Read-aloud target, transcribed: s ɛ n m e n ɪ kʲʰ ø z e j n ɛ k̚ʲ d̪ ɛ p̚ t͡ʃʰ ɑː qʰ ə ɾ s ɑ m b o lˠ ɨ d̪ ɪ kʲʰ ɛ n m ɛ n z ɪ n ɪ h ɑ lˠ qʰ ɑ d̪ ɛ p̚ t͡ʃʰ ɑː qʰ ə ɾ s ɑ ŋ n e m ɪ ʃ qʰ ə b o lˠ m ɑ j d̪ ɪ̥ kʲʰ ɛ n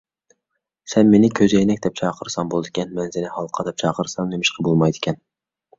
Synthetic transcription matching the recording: s ɛ n m e n ɪ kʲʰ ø z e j n ɛ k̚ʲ d̪ ɛ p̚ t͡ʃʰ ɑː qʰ ə ɾ s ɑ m b o lˠ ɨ d̪ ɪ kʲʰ ɛ n m ɛ n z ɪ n ɪ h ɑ lˠ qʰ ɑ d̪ ɛ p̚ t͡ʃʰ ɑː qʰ ə ɾ s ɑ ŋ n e m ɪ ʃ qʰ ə b o lˠ m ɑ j d̪ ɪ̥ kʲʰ ɛ n